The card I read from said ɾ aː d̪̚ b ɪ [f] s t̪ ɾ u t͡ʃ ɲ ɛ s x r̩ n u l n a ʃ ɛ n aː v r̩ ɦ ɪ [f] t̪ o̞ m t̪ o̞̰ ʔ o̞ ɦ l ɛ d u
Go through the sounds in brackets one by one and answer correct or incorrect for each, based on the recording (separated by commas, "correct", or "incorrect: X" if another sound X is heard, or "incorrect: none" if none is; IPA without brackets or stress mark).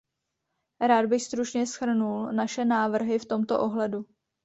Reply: incorrect: x, correct